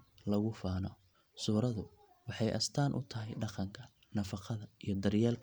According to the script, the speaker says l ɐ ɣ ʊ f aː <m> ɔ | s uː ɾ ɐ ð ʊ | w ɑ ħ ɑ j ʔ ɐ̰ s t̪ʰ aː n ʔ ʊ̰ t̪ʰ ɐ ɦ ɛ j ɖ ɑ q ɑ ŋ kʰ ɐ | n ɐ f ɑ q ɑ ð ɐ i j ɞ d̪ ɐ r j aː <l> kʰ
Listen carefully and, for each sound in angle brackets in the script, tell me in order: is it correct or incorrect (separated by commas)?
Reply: incorrect, correct